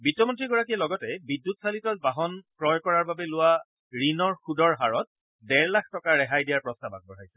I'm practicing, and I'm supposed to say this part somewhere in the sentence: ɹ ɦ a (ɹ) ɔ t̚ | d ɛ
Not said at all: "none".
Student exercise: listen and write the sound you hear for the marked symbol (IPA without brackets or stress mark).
ɹ